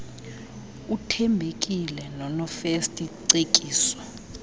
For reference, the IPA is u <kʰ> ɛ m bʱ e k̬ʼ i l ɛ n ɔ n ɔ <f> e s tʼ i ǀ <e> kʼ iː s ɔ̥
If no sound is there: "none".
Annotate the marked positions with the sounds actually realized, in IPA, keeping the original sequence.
tʰ, f, e

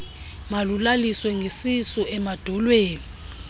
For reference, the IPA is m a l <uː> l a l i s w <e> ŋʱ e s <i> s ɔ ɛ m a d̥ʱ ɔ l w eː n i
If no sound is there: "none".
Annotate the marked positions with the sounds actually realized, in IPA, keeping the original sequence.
u, ɛ, i

